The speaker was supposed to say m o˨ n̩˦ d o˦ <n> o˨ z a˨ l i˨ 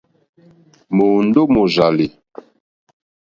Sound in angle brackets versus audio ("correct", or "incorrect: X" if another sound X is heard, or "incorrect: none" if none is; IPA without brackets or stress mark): incorrect: m